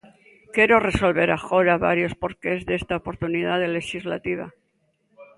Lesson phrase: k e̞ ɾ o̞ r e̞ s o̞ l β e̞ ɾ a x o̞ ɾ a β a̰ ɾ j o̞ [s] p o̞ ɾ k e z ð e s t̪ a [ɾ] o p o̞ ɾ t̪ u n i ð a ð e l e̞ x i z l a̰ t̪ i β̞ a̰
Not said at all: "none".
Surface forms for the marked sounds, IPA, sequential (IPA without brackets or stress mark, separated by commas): s, none